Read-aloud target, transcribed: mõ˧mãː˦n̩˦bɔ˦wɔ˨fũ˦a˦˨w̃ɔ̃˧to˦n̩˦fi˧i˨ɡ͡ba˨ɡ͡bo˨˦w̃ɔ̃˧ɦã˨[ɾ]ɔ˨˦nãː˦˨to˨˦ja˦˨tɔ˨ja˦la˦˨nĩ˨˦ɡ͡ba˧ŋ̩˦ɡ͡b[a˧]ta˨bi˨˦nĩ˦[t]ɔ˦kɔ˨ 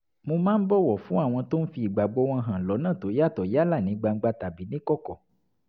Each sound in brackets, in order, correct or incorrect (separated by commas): incorrect, correct, incorrect